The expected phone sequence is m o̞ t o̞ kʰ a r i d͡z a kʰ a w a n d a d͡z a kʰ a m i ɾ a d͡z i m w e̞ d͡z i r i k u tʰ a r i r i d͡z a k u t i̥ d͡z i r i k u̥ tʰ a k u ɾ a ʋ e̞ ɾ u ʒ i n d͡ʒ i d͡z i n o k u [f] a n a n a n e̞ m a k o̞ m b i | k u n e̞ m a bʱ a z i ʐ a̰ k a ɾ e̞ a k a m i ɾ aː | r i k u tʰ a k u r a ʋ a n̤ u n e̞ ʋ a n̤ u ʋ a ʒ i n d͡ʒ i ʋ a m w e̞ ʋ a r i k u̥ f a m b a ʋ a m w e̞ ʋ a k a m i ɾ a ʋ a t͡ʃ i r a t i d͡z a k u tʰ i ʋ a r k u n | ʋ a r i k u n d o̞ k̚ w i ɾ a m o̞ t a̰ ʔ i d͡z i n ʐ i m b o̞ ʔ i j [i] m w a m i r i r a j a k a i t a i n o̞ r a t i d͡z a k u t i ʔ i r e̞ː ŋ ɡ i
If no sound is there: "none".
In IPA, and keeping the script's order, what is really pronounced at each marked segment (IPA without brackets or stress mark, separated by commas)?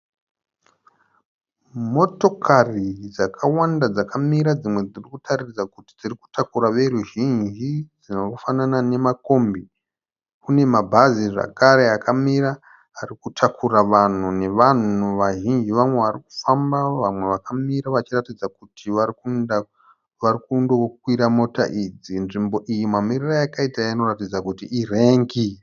f, i